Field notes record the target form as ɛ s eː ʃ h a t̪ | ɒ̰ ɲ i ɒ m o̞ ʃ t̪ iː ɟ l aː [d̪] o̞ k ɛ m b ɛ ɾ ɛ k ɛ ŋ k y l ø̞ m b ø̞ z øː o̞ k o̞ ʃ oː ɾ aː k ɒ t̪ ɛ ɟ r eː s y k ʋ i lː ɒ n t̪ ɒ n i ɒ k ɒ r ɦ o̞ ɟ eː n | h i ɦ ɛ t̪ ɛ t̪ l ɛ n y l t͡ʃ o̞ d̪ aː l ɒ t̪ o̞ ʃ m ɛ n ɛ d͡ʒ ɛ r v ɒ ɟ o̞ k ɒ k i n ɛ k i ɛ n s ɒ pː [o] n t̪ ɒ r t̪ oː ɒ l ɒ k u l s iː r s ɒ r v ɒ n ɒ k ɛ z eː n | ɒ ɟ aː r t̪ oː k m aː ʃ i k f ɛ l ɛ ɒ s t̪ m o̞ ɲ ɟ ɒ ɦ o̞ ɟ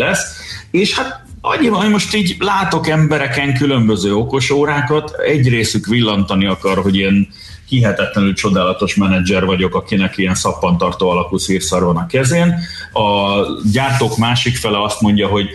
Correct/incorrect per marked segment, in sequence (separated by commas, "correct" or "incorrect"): incorrect, incorrect